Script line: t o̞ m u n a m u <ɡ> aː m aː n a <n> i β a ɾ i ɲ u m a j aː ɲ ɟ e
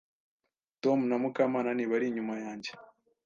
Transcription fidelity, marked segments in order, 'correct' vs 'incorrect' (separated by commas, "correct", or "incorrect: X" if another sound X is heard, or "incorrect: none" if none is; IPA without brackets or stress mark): incorrect: k, correct